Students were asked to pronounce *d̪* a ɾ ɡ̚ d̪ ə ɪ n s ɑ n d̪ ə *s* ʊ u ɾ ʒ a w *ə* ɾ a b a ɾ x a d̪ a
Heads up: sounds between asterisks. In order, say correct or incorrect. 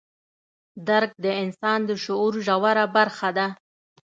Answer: correct, incorrect, incorrect

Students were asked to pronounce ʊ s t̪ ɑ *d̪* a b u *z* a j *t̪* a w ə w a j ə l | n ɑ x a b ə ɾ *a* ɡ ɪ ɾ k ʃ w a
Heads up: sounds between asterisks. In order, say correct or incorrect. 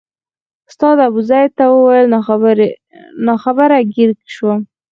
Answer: correct, correct, correct, correct

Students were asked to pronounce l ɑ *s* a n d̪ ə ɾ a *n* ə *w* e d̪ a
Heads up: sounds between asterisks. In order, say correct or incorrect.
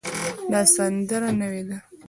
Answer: correct, correct, correct

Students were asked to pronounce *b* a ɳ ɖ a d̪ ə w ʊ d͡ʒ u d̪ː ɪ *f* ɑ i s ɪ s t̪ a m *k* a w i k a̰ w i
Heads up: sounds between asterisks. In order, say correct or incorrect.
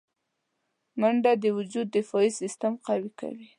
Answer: incorrect, correct, incorrect

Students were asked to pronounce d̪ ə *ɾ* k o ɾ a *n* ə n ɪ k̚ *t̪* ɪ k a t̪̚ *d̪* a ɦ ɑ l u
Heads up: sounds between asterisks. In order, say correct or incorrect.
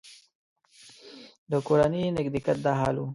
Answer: incorrect, correct, incorrect, correct

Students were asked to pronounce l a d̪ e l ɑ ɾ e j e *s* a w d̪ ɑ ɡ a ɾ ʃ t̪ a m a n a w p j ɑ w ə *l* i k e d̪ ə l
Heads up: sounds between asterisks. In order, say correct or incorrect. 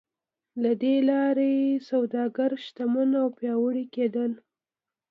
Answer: correct, incorrect

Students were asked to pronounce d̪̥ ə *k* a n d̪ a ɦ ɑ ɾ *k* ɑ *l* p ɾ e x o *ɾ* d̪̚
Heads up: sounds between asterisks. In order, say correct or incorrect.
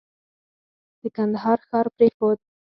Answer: correct, incorrect, incorrect, incorrect

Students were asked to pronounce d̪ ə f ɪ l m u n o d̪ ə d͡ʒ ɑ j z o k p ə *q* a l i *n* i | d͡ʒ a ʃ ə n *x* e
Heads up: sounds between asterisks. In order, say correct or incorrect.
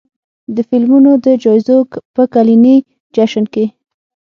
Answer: incorrect, correct, incorrect

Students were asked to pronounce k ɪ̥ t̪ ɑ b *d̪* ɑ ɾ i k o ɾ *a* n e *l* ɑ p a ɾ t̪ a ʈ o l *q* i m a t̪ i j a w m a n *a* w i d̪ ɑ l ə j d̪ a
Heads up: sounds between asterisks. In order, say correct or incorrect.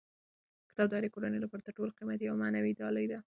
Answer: correct, correct, correct, correct, correct

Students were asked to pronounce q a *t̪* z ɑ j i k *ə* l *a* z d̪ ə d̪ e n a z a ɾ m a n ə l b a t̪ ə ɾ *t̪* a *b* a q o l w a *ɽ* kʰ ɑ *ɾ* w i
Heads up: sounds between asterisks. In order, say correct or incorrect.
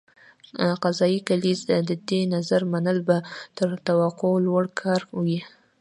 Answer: incorrect, incorrect, incorrect, correct, incorrect, correct, correct

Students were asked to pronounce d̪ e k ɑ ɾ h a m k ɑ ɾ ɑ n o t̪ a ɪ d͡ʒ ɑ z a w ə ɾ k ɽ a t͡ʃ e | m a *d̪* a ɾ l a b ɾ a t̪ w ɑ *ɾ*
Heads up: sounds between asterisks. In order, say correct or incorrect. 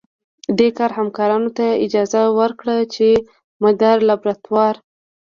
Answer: correct, correct

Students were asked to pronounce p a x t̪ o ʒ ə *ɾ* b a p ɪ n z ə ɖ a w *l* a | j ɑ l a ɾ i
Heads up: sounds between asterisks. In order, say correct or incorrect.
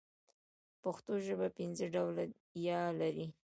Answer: incorrect, correct

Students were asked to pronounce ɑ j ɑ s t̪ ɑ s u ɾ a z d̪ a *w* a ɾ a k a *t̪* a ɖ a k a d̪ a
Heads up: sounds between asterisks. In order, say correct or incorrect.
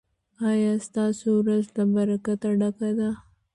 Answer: incorrect, correct

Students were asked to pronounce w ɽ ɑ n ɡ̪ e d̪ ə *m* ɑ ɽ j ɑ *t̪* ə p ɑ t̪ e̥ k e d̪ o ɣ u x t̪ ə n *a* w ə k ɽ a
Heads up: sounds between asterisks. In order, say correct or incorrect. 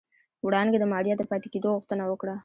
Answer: correct, incorrect, correct

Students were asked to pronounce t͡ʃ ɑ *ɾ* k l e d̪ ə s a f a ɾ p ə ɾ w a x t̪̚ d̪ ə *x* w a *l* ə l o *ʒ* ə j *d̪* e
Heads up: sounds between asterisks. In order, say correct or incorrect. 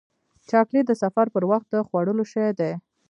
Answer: incorrect, correct, incorrect, incorrect, correct

